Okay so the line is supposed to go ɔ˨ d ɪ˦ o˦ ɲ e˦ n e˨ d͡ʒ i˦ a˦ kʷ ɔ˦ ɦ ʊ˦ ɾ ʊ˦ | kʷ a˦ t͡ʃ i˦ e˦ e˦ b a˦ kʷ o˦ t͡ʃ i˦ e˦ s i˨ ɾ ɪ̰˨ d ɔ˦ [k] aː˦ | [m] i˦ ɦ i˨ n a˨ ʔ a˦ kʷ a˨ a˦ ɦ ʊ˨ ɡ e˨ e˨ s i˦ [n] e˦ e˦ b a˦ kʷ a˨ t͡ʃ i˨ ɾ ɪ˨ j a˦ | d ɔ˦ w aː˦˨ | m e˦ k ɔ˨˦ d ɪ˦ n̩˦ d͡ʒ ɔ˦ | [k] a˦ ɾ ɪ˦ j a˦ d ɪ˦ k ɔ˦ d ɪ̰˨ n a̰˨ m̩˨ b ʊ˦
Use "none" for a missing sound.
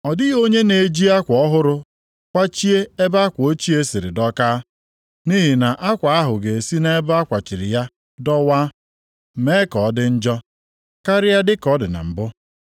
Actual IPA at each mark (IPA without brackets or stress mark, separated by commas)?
k, n, n, k